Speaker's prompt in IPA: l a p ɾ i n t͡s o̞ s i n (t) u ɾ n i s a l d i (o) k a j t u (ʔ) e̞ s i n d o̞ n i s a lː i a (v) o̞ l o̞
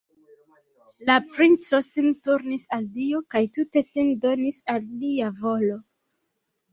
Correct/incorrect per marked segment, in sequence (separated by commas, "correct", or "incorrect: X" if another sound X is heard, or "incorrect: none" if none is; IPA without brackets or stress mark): correct, correct, incorrect: t, correct